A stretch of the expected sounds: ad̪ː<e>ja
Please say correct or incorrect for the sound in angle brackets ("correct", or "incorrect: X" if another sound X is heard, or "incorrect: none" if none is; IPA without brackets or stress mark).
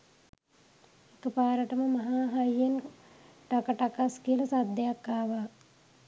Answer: correct